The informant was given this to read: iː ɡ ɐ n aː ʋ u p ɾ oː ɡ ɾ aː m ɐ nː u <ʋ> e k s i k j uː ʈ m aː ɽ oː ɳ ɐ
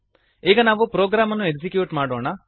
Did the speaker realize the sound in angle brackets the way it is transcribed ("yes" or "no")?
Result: no